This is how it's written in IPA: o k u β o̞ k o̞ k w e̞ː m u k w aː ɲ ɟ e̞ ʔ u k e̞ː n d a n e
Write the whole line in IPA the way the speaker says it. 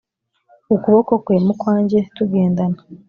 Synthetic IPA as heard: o k u β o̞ k o̞ k w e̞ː m u k w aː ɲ ɟ e̞ t u ɡ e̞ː n d a n a